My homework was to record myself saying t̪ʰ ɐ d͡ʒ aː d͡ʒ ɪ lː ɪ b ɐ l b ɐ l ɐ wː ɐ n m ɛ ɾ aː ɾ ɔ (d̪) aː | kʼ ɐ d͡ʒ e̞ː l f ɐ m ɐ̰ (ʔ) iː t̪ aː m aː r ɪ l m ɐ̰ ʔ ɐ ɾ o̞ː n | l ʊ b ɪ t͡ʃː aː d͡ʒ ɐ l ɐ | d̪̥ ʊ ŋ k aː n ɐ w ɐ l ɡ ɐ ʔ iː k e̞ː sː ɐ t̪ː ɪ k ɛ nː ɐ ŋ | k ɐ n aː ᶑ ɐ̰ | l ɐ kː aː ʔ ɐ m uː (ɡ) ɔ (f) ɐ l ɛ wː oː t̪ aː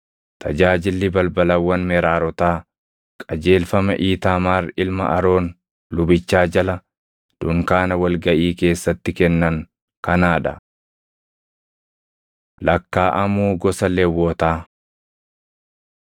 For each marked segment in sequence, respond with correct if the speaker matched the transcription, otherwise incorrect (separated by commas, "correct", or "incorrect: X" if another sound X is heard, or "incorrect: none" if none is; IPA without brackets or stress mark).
incorrect: t̪, correct, correct, incorrect: s